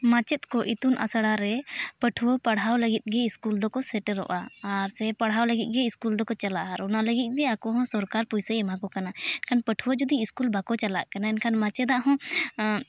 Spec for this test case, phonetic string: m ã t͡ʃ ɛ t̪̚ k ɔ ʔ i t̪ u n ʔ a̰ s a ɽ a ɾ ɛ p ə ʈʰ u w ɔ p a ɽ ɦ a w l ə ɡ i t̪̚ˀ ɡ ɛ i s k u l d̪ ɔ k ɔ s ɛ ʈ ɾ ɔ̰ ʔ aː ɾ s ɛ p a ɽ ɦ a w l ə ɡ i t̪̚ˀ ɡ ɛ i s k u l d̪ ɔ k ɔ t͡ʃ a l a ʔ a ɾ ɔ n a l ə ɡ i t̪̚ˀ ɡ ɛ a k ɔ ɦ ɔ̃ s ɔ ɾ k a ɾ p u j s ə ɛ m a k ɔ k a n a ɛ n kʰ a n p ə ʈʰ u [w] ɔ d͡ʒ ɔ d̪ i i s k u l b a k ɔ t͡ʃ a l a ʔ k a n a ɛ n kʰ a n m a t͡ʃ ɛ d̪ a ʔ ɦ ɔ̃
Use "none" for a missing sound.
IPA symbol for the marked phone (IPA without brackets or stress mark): w